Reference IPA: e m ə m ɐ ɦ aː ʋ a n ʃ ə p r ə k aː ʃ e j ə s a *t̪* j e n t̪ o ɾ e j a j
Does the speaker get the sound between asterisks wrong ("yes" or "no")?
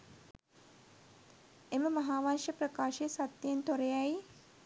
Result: no